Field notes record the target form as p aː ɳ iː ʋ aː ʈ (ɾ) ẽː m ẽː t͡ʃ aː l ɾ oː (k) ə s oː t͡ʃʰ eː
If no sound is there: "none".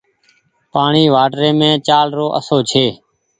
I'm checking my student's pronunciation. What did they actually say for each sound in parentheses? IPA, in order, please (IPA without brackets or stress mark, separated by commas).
ɾ, ʔ